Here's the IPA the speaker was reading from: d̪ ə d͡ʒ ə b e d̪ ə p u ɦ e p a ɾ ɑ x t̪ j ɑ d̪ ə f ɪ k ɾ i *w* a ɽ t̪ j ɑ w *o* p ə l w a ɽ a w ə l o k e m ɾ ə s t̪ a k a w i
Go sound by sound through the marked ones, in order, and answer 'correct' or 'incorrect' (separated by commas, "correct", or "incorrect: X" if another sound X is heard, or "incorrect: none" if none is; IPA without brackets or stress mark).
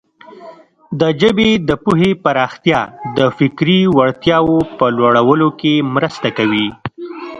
correct, correct